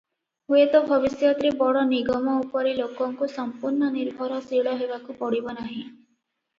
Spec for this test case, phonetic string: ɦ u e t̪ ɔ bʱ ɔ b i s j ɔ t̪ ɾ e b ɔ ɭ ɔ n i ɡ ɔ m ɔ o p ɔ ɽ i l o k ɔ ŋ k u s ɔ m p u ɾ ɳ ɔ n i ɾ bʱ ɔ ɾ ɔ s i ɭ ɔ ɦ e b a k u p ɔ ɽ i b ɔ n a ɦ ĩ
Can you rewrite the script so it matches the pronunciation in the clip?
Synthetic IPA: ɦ u e t̪ ɔ bʱ ɔ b i s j ɔ t̪ ɾ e b ɔ ɽ ɔ n i ɡ ɔ m ɔ u p ɔ ɾ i l o k ɔ ŋ k u s ɔ m p u ɾ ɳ ɔ n i ɾ bʱ ɔ ɾ ɔ s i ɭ ɔ ɦ e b a k u p ɔ ɽ i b ɔ n a ɦ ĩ

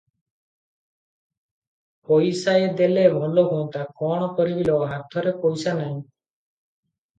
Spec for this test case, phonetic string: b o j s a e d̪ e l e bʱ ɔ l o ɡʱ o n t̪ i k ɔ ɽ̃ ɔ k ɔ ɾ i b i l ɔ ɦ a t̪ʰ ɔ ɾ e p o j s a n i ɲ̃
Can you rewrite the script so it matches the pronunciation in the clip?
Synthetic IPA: p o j s a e d̪ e l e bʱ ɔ l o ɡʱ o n t̪ a k ɔ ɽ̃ ɔ k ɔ ɾ i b i l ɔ ɦ a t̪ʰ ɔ ɾ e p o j s a n a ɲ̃

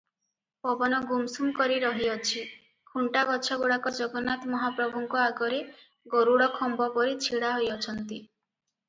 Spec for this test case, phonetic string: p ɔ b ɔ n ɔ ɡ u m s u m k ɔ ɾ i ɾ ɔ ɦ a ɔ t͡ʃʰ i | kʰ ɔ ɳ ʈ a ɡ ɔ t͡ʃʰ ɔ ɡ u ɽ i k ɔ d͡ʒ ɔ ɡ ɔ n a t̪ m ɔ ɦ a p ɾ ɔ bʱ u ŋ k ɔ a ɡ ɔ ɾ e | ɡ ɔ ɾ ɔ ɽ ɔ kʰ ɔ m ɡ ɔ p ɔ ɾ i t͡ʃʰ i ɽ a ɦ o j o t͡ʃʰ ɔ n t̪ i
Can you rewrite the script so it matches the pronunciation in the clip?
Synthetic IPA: p ɔ b ɔ n ɔ ɡ u m s u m k ɔ ɾ i ɾ ɔ ɦ i ɔ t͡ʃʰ i | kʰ u ɳ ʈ a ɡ ɔ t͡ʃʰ ɔ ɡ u ɽ a k ɔ d͡ʒ ɔ ɡ ɔ n a t̪ m ɔ ɦ a p ɾ ɔ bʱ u ŋ k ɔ a ɡ ɔ ɾ e | ɡ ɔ ɾ u ɽ ɔ kʰ ɔ m b ɔ p ɔ ɾ i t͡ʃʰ i ɽ a ɦ o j ɔ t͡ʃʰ ɔ n t̪ i

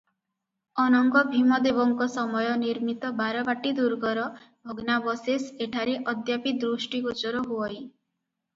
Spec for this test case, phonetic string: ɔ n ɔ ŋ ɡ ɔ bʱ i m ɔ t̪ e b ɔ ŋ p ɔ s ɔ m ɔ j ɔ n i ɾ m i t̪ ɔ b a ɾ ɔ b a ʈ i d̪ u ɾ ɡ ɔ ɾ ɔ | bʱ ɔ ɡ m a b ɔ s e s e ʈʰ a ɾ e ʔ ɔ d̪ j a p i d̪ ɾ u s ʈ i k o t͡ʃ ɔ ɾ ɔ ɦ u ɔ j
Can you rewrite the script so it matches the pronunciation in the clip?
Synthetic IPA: ɔ n ɔ ŋ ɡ ɔ bʱ i m ɔ d̪ e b ɔ ŋ k ɔ s ɔ m ɔ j ɔ n i ɾ m i t̪ ɔ b a ɾ ɔ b a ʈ i d̪ u ɾ ɡ ɔ ɾ ɔ | bʱ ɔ ɡ n a b ɔ s e s e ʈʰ a ɾ e ʔ ɔ d̪ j a p i d̪ ɾ u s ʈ i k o t͡ʃ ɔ ɾ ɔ ɦ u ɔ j

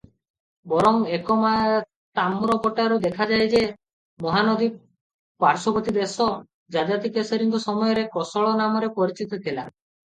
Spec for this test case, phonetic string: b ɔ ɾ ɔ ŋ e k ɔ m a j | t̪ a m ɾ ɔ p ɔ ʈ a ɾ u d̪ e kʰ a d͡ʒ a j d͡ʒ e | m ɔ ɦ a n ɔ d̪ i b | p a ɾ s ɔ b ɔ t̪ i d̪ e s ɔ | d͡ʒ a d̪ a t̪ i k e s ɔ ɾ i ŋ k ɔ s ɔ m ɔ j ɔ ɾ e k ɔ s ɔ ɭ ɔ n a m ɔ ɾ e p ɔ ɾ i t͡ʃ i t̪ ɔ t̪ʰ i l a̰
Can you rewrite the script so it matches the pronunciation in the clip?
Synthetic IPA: b ɔ ɾ ɔ ŋ e k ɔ m a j | t̪ a m ɾ ɔ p ɔ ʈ a ɾ u d̪ e kʰ a d͡ʒ a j d͡ʒ e | m ɔ ɦ a n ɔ d̪ i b | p a ɾ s ɔ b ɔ t̪ i d̪ e s ɔ | d͡ʒ a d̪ a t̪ i k e s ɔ ɾ i ŋ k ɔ s ɔ m ɔ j ɔ ɾ e k ɔ s ɔ ɭ ɔ n a m ɔ ɾ e p ɔ ɾ i t͡ʃ i t̪ ɔ t̪ʰ i l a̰

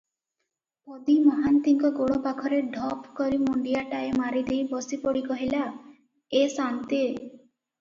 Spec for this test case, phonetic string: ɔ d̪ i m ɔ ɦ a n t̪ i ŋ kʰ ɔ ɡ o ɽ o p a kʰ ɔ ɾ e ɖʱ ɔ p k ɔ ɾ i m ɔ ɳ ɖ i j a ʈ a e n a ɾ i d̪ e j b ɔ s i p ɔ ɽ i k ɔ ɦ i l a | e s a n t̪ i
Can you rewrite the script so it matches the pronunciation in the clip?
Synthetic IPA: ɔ d̪ i m ɔ ɦ a n t̪ i ŋ k ɔ ɡ o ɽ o p a kʰ ɔ ɾ e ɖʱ ɔ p k ɔ ɾ i m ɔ ɳ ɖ i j a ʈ a e m a ɾ i d̪ e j b ɔ s i p ɔ ɽ i k ɔ ɦ i l a | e s a n t̪ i

